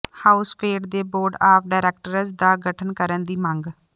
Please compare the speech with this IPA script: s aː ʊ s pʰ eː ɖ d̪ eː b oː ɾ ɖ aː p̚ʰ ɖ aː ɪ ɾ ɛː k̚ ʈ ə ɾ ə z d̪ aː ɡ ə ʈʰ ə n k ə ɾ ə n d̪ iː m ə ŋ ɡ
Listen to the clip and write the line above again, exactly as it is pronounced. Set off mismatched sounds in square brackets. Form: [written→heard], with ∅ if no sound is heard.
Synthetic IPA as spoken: [s→h] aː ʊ s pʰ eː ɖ d̪ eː b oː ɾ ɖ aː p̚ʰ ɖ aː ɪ ɾ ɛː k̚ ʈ ə ɾ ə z d̪ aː ɡ ə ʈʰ ə n k ə ɾ ə n d̪ iː m ə ŋ ɡ